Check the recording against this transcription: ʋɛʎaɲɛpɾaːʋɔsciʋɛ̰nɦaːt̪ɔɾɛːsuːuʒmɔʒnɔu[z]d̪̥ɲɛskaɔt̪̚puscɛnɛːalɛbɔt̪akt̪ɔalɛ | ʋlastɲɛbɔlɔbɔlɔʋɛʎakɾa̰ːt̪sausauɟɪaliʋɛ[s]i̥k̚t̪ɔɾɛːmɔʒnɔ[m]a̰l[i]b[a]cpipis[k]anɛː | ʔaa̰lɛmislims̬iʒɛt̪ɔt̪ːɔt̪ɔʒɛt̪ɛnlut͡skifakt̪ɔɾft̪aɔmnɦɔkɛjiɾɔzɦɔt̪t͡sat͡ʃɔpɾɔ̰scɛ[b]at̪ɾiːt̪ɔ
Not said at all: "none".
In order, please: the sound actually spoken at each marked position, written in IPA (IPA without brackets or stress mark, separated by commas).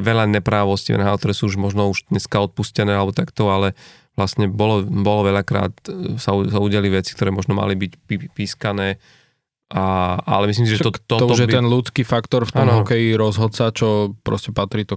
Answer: ʒ, t͡s, m, i, i, k, p